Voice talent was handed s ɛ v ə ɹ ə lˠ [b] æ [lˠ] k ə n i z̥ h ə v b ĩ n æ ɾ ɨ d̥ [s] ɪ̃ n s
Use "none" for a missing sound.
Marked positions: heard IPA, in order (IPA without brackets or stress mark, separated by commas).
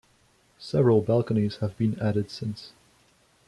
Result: b, lˠ, s